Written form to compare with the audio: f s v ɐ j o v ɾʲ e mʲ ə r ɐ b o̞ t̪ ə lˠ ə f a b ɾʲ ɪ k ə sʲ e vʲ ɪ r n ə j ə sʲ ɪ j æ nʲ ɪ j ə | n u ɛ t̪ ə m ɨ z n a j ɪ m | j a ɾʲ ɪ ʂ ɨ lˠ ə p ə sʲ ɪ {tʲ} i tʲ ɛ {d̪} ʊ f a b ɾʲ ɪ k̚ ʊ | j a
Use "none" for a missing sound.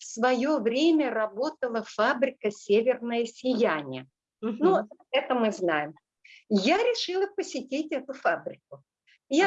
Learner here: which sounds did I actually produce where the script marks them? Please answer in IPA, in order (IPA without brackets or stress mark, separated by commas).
tʲ, t̪